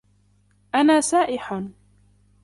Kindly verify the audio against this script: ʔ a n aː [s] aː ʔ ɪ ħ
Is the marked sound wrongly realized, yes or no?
no